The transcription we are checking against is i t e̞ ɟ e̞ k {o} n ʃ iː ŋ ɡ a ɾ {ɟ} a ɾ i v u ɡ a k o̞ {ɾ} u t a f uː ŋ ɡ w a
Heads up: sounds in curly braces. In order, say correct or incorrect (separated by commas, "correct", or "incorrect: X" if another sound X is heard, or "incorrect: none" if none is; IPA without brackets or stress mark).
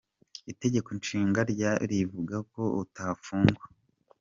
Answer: correct, correct, incorrect: none